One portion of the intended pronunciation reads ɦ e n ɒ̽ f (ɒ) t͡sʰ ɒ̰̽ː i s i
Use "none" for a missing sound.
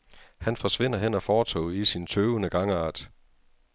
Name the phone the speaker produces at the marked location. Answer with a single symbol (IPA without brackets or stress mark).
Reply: ɒː